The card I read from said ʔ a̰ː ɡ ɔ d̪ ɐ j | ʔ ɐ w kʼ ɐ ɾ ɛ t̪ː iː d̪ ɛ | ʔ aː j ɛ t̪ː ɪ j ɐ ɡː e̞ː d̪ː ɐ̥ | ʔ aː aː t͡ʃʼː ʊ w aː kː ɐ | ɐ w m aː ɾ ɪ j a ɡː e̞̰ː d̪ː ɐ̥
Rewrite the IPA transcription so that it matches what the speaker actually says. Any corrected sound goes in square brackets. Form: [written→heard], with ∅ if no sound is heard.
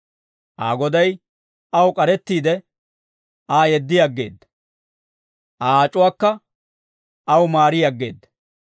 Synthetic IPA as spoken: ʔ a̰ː ɡ ɔ d̪ ɐ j | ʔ ɐ w kʼ ɐ ɾ ɛ t̪ː iː d̪ ɛ | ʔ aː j ɛ [t̪ː→d̪ː] ɪ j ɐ ɡː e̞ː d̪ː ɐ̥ | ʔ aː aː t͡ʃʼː ʊ w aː kː ɐ | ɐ w m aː ɾ ɪ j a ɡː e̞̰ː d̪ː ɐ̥